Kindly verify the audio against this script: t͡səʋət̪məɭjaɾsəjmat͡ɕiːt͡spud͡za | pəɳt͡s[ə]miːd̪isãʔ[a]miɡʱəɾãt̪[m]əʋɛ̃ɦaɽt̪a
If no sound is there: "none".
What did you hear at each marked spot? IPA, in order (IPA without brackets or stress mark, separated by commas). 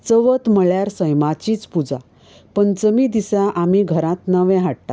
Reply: ə, a, n